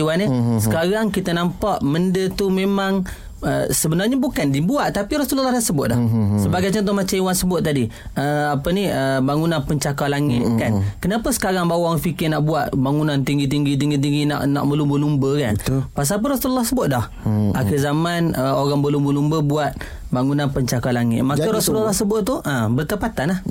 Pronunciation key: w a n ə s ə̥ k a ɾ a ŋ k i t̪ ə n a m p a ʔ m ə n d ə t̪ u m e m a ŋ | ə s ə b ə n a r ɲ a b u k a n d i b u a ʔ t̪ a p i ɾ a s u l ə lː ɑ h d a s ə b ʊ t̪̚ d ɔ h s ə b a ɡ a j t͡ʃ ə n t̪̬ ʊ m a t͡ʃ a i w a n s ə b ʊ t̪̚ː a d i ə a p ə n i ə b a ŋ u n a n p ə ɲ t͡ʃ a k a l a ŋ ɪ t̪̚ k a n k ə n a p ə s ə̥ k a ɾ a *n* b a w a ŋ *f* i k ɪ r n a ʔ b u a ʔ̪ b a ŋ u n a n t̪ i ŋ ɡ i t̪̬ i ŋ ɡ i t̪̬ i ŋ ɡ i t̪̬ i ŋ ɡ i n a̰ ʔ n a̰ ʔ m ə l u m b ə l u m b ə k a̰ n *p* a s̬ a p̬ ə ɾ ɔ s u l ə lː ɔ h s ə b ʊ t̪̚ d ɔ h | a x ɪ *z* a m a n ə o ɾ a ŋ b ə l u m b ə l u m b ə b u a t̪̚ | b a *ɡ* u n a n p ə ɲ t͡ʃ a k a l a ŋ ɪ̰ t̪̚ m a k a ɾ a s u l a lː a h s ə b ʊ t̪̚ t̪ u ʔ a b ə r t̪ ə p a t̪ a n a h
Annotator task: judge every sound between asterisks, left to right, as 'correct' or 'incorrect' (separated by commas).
incorrect, correct, correct, correct, incorrect